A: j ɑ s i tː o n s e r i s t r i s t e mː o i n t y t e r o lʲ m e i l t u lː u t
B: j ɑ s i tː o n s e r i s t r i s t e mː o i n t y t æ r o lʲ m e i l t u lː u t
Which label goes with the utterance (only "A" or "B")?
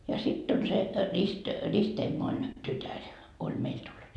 B